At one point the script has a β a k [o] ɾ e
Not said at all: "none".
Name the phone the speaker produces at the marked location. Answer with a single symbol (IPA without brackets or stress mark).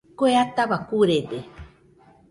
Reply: u